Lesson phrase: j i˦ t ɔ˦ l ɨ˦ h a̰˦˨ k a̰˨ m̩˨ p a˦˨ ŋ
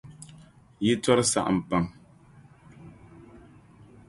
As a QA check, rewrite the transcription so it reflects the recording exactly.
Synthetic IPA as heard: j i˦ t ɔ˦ ɾ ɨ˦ s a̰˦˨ ʔ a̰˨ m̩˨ p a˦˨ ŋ